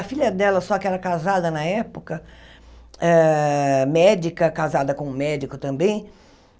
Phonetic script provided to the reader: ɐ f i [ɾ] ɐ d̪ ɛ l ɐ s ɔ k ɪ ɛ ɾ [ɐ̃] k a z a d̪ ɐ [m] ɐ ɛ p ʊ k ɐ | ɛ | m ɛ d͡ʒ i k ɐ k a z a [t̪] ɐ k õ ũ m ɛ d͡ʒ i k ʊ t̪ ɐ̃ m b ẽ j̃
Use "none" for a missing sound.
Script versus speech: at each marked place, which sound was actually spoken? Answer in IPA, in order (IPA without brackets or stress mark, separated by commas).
ʎ, ɐ, n, d̪